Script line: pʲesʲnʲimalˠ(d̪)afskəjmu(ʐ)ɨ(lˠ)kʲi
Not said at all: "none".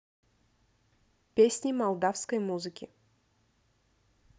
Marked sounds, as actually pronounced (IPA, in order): d̪, z, none

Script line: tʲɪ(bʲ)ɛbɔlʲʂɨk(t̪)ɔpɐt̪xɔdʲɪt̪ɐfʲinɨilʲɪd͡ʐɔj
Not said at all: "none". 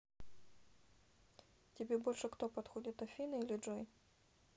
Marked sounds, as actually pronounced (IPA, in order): bʲ, t̪

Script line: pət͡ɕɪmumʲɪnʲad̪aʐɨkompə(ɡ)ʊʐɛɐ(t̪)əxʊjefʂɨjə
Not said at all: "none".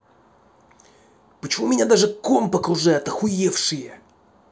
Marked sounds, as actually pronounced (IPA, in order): k, t̪

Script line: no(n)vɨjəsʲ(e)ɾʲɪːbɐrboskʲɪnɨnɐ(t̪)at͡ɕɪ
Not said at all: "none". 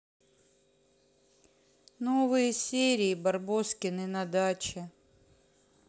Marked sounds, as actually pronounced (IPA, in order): none, e, d̪

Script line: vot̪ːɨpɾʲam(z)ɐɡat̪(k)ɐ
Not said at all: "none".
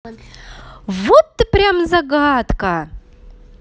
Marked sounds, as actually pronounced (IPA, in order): z, k

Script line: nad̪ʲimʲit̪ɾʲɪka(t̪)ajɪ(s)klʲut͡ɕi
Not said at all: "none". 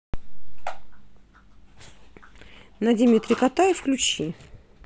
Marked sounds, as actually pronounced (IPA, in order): t̪, f

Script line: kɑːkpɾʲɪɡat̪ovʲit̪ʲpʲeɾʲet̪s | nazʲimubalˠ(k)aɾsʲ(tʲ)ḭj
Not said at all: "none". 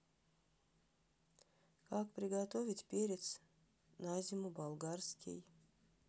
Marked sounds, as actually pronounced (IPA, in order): ɡ, kʲ

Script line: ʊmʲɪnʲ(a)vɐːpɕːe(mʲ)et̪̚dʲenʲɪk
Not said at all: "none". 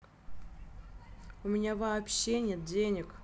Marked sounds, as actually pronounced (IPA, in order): a, nʲ

